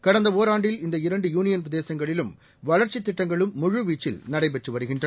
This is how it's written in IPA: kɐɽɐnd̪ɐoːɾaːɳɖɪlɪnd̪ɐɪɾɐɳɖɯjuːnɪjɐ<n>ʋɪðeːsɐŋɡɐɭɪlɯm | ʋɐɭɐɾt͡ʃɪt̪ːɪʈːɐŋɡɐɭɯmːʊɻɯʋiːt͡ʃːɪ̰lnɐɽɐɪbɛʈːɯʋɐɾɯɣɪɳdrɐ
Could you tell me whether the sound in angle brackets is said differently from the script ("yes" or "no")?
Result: no